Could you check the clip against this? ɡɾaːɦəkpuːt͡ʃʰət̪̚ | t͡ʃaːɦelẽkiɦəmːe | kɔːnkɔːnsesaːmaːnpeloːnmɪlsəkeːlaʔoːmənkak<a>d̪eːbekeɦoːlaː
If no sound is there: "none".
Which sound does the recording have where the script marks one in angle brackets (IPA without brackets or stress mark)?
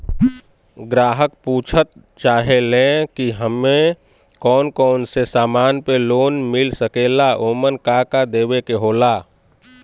a